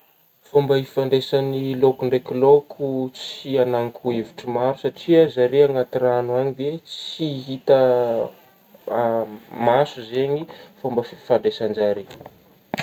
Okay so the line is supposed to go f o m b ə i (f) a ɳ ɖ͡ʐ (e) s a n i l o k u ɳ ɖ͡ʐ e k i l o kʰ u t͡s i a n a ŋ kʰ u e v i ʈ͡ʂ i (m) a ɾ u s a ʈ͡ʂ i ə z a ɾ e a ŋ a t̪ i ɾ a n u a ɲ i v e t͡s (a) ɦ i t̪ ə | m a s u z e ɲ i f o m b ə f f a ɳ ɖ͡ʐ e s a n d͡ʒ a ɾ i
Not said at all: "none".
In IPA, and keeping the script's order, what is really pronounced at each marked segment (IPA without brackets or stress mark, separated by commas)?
f, e, m, i